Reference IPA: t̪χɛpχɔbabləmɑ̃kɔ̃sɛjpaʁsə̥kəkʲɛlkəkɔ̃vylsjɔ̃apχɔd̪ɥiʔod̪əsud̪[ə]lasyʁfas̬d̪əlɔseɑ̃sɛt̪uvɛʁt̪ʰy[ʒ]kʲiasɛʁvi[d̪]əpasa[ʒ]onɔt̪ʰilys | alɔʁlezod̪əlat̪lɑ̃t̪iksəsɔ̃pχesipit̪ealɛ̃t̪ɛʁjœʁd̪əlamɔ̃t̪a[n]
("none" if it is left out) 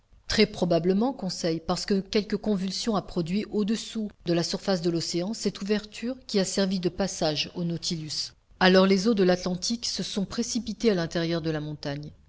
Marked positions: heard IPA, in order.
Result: ə, ʁ, d̪, ʒ, ɲ

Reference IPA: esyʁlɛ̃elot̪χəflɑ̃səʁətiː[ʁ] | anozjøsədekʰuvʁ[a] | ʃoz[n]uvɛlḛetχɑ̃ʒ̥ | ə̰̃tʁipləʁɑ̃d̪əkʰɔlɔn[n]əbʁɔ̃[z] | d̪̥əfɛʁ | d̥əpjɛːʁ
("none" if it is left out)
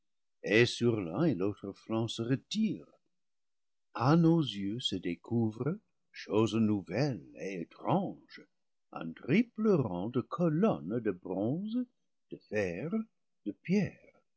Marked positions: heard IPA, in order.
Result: ʁ, ə, n, d, z

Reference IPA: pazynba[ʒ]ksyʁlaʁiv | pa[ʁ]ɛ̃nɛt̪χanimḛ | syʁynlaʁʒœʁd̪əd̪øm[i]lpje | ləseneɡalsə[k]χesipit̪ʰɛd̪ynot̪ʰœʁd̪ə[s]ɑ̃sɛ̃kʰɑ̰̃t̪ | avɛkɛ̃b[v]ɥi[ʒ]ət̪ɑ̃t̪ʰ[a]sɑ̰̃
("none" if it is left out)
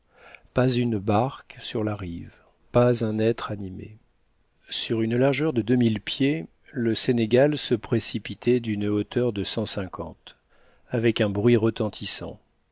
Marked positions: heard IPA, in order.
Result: ʁ, z, i, p, s, ʁ, ʁ, i

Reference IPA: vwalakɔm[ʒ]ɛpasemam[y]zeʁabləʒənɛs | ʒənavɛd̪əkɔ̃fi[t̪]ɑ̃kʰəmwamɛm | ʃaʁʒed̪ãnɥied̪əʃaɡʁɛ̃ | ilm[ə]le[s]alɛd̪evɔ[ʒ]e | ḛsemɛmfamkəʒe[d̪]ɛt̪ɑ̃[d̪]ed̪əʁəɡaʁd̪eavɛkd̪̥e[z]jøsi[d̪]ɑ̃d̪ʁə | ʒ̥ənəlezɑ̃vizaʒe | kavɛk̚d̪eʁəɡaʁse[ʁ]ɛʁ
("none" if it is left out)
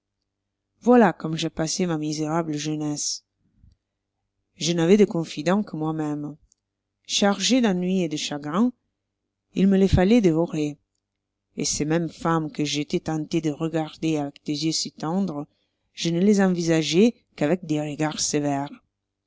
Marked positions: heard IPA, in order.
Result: ʒ, i, d̪, ə, f, ʁ, t̪, t̪, z, t̪, v

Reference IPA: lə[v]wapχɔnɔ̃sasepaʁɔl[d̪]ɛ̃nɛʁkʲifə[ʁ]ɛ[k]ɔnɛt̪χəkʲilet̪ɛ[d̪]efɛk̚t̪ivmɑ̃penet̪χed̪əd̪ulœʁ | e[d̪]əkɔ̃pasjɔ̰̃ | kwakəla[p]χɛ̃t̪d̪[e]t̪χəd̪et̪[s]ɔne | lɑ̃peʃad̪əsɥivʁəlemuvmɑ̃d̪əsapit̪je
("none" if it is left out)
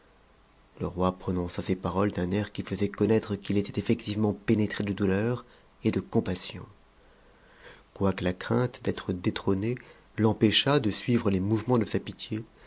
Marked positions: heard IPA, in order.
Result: ʁ, d̪, z, k, t̪, d̪, k, ɛ, χ

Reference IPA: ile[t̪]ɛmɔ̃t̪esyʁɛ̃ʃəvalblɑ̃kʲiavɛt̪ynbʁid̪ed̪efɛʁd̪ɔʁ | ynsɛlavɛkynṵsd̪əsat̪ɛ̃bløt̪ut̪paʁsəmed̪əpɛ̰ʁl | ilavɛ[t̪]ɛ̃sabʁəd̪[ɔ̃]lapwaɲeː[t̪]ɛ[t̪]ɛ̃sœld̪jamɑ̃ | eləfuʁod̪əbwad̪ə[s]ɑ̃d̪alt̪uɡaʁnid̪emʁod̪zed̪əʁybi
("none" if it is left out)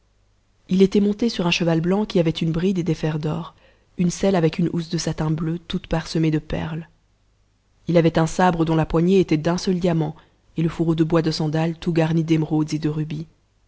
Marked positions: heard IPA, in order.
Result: t̪, t̪, ɔ̃, t̪, d̪, s

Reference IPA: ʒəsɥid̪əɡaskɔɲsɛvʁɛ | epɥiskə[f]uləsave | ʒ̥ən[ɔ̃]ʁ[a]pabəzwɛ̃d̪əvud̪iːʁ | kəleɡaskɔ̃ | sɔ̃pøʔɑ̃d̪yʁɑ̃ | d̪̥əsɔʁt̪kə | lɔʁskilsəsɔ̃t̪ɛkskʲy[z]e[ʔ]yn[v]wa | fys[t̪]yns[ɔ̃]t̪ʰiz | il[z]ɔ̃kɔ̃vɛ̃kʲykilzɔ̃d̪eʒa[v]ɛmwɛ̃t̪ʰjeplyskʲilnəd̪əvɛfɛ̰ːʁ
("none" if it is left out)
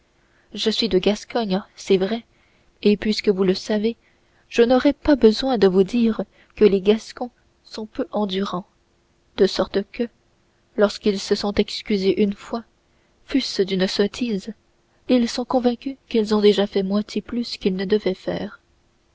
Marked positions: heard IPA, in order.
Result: v, ɔ, ɛ, z, ʔ, f, d̪, ɔ, s, f

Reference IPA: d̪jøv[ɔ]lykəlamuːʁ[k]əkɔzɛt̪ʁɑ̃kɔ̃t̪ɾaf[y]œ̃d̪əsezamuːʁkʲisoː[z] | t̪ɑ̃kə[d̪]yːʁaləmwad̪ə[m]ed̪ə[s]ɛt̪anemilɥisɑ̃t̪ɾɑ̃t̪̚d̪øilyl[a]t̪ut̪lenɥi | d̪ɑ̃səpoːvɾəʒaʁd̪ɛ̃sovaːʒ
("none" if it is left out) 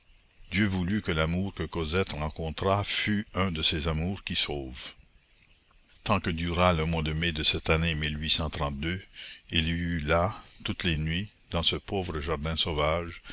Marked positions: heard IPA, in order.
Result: u, k, y, v, d̪, m, s, a

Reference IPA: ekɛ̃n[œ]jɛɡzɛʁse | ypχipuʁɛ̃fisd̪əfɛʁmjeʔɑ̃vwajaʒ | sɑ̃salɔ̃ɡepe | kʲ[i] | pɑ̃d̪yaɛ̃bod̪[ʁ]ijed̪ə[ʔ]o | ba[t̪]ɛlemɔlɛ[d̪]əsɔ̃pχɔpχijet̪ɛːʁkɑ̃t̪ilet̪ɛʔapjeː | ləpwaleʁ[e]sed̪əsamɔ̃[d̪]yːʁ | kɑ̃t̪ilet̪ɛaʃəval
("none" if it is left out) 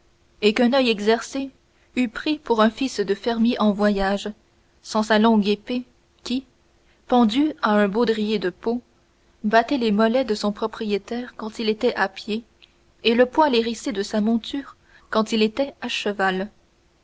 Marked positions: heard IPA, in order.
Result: œ, i, ʁ, p, t̪, d̪, i, t̪

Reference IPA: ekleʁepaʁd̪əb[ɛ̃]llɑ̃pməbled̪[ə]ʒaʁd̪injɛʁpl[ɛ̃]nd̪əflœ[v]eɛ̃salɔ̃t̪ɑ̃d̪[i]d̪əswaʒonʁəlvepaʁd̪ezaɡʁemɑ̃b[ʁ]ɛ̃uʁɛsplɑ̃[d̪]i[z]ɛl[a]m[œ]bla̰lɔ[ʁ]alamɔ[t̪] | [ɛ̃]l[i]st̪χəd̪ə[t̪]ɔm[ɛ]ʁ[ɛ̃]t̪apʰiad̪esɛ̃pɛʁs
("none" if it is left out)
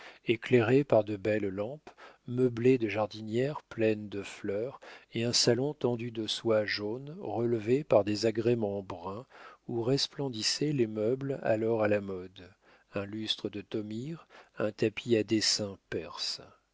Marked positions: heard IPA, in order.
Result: ɛ, ə, ɛ, ʁ, y, ʁ, d̪, s, e, œ, ʁ, d̪, ɛ̃, y, t̪, i, ɛ̃

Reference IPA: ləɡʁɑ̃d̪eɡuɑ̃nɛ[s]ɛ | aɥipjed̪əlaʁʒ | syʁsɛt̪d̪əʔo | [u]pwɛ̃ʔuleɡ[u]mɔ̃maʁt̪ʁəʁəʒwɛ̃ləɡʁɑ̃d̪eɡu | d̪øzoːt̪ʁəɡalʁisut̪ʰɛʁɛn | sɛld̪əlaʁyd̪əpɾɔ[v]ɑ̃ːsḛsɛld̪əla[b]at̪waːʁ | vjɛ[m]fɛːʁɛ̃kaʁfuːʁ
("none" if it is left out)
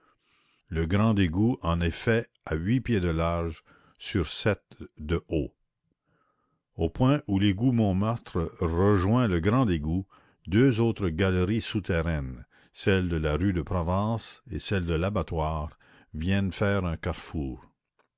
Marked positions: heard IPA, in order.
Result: f, o, u, v, b, n

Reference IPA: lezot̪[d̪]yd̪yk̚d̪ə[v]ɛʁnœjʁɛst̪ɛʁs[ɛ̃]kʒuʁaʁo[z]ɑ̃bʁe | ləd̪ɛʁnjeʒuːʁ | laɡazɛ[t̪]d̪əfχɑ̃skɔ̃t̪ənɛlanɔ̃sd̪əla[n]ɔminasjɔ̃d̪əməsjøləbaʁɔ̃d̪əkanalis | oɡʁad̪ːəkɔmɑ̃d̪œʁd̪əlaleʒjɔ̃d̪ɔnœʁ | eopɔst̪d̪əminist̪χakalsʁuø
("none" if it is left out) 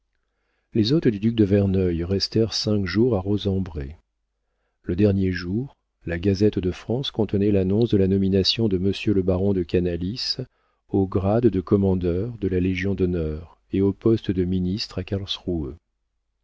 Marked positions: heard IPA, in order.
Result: d̪, v, ɛ̃, z, t̪, n

